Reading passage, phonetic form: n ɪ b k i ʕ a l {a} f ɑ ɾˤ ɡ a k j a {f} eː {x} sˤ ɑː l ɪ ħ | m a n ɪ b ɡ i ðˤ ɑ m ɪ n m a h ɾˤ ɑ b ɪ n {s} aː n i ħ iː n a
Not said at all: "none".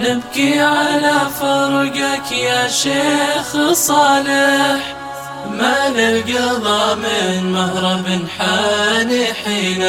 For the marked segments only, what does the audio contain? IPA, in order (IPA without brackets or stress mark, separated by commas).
a, ʃ, x, ħ